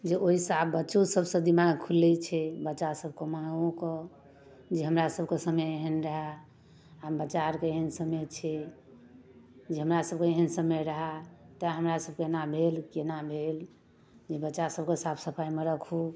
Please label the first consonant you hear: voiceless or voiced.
voiced